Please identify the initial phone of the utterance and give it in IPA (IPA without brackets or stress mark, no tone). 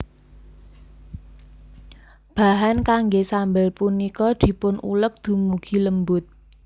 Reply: b̥